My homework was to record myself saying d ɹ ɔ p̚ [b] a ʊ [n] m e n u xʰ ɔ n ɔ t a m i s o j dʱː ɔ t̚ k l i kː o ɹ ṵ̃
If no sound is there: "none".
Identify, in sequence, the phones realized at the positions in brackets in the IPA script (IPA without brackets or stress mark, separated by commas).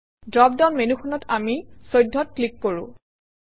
d, n